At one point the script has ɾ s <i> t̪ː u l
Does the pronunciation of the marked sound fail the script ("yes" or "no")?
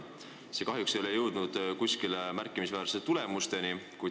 yes